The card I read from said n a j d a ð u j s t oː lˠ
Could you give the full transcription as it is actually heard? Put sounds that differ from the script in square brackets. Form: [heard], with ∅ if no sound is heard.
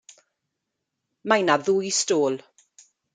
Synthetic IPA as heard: [m] a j [n] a ð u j s t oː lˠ